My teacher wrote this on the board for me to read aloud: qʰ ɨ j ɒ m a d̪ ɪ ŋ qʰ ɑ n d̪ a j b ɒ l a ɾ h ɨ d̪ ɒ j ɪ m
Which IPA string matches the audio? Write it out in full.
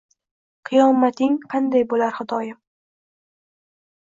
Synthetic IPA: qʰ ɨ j ɒ m a t̪ ɪ ŋ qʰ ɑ n d̪ a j b o l a ɾ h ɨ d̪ ɒ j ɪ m